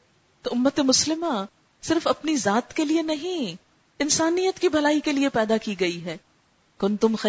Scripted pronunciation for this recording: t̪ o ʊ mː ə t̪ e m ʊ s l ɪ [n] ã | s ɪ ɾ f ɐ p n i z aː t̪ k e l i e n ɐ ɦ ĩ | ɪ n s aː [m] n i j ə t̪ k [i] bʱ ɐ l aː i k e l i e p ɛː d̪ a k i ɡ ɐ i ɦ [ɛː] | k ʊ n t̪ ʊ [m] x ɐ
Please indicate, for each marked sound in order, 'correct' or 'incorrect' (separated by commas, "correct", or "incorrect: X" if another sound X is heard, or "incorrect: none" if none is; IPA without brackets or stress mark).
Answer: incorrect: m, incorrect: none, correct, correct, correct